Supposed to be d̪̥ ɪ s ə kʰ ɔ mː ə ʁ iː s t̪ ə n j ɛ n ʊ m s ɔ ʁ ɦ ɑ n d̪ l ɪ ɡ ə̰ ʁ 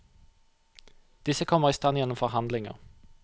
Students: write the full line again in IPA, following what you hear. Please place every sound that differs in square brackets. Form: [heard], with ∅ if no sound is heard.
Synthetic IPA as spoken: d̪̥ ɪ s ə kʰ ɔ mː ə ʁ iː s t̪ [ɑ] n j ɛ n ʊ m [f] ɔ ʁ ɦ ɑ n d̪ l ɪ [ŋ] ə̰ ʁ